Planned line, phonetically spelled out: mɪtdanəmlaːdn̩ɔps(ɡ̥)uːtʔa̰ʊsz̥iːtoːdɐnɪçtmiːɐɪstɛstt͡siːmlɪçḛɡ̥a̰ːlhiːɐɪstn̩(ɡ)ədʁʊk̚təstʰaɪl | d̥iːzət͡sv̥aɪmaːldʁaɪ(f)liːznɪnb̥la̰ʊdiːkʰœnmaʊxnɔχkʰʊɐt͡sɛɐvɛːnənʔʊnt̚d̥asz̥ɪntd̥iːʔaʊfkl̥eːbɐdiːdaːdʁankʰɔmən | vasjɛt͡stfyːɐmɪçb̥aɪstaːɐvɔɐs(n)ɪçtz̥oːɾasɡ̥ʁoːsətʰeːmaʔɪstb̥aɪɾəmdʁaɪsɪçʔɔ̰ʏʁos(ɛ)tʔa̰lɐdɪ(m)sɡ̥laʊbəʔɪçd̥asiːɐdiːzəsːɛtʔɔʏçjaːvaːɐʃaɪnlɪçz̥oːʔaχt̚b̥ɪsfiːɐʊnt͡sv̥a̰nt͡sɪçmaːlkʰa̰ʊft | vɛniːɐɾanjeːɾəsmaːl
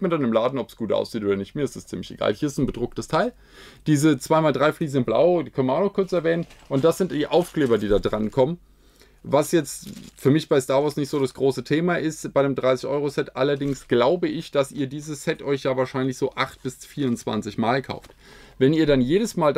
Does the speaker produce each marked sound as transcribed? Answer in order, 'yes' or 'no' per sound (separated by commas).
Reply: yes, no, yes, yes, yes, no